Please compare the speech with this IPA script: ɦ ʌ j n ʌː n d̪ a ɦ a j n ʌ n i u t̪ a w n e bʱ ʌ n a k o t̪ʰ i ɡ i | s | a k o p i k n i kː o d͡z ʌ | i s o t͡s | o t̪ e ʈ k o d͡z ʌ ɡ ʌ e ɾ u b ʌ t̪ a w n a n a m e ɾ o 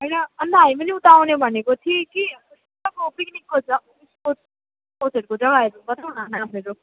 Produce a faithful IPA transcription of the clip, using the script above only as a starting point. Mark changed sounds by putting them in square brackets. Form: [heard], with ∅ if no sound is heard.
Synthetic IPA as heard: ɦ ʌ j n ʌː n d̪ a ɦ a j [m] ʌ n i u t̪ a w n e bʱ ʌ n [e] k o t̪ʰ i [k] i | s | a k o p i k n i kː o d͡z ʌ | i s o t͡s | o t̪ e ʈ k o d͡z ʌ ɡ [a] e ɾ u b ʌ t̪ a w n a n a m e ɾ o